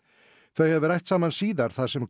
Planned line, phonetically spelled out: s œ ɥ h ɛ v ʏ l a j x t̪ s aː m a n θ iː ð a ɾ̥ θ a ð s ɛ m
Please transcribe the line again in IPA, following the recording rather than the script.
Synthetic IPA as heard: θ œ ɥ h ɛ v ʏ ɾ a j h t̪ s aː m a n s iː ð a ɾ̥ θ a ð s ɛ m